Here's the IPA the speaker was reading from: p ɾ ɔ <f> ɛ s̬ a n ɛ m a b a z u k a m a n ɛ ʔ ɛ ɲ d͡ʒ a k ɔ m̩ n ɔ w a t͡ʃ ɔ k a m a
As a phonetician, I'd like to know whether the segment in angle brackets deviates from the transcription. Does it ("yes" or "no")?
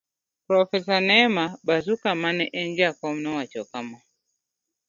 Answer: no